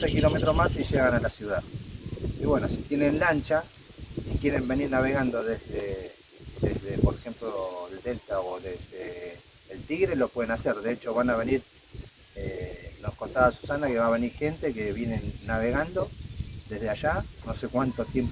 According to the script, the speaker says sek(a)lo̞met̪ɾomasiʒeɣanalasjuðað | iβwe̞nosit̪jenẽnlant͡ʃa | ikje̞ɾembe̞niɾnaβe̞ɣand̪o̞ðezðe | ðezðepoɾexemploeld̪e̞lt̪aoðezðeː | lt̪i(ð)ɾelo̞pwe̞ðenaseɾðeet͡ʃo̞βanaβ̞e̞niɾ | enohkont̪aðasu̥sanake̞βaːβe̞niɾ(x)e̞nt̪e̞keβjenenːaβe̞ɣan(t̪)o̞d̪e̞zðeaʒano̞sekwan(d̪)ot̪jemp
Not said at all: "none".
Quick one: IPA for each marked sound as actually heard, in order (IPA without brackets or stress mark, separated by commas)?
i, ɣ, x, d̪, t̪